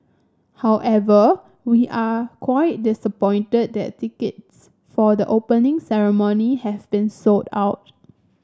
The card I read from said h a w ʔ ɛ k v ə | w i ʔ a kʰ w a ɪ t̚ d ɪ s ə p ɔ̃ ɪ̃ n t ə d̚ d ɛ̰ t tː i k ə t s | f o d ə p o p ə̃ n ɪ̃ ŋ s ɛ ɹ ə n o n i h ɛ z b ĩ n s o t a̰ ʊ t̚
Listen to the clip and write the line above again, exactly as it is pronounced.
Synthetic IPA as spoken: h a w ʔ ɛ v ə | w i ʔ a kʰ w a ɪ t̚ d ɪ s ə p ɔ̃ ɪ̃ n t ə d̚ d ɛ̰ t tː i k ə t s | f ɔ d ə ʔ o p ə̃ n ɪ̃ ŋ s ɛ ɹ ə m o n i h ɛ v b ĩ n s o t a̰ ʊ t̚